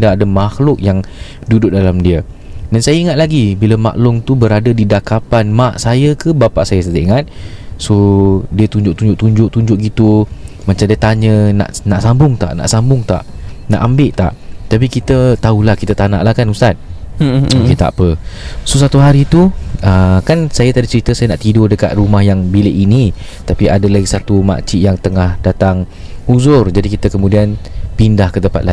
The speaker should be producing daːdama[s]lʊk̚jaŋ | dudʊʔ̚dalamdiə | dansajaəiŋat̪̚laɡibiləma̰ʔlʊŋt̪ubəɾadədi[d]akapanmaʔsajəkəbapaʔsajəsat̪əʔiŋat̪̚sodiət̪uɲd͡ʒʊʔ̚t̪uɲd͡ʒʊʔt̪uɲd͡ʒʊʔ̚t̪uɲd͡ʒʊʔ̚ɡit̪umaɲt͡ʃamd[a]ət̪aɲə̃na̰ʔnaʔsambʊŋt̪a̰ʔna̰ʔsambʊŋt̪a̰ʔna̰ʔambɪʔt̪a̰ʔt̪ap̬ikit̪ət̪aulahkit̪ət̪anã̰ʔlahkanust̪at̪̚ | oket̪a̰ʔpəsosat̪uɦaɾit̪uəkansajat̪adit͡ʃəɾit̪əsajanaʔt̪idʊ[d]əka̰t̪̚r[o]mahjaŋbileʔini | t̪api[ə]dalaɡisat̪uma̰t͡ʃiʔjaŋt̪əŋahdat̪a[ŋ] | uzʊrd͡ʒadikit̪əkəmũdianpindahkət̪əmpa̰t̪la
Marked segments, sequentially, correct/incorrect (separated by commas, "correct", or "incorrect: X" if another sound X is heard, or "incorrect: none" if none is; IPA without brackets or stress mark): incorrect: x, correct, incorrect: i, correct, incorrect: u, incorrect: a, correct